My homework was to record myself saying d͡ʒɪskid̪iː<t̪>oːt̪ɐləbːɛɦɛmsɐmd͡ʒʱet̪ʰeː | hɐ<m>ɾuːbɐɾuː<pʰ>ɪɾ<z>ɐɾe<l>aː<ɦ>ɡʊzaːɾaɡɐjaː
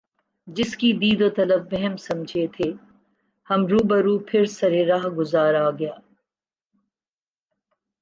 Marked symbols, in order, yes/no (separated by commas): no, yes, yes, no, no, yes